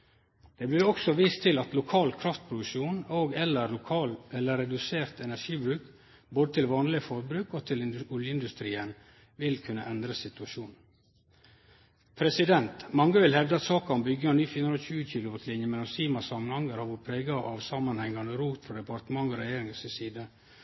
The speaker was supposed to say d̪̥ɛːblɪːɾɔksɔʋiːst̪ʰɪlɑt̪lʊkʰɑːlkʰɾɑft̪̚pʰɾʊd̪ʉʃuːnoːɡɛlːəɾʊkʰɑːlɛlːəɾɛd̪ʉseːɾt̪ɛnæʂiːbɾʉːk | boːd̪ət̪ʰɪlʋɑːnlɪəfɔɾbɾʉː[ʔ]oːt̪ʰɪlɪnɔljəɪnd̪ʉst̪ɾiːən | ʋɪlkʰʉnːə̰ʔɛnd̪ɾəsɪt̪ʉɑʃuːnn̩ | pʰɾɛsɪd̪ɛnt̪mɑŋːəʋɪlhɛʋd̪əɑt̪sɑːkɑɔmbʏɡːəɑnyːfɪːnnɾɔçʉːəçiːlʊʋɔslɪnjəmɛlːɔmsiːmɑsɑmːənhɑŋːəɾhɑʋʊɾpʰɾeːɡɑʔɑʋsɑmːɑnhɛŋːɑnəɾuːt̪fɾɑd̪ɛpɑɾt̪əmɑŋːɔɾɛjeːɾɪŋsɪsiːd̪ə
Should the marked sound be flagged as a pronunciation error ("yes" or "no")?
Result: yes